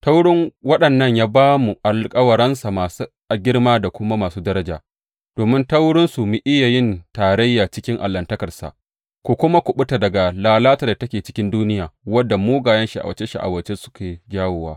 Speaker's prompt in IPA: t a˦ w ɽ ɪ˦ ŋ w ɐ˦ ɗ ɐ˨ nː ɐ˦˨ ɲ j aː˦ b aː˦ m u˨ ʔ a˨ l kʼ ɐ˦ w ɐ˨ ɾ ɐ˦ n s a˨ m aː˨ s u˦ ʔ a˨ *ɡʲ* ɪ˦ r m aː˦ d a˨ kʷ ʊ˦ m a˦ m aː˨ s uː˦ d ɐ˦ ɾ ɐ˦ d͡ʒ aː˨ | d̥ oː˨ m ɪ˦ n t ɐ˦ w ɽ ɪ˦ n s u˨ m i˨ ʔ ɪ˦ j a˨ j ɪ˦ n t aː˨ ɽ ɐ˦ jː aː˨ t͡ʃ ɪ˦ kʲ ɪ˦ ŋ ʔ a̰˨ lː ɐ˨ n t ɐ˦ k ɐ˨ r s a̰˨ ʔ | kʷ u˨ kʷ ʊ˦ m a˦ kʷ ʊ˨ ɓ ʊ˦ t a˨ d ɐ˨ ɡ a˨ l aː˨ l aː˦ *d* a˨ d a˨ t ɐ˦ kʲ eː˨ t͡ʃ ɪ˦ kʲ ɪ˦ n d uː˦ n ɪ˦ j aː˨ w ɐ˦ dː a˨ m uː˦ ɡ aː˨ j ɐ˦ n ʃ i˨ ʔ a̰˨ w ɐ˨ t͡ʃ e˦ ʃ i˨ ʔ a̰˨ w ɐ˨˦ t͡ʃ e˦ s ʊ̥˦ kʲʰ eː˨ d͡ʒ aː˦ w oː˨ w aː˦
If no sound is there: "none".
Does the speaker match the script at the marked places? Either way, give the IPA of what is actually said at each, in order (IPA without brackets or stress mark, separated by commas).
ɡʲ, t